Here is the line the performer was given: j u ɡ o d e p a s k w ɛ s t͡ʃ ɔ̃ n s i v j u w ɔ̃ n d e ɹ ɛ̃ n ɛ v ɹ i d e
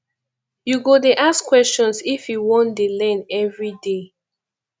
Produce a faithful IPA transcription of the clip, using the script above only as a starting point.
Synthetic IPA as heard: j u ɡ o d e ʔ a s k w ɛ s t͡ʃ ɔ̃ n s i f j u w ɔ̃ n d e l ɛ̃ n ɛ v ɹ i d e